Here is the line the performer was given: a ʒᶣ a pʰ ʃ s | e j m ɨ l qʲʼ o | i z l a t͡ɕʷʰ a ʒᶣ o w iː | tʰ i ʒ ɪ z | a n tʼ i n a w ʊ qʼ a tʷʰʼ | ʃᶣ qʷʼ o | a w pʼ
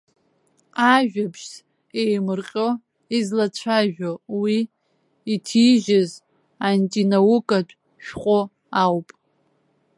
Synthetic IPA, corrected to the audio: a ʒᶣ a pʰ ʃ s | e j m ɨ r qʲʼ o | i z l a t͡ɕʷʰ a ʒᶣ o w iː | tʰ i ʒ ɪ z | a n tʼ i n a w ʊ kʼ a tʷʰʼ | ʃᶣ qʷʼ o | a w pʼ